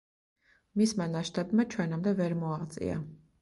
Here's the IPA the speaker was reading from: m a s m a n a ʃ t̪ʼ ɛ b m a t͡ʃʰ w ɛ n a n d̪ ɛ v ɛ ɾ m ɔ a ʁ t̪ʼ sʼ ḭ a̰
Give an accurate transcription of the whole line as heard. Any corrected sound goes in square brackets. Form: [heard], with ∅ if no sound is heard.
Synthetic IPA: m [i] s m a n a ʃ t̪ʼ [a] b m a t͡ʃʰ w ɛ n a [m] d̪ ɛ v ɛ ɾ m ɔ a ʁ [t̪] sʼ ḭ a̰